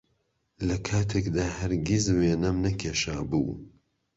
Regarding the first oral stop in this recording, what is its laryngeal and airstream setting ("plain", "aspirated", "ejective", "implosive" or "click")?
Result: aspirated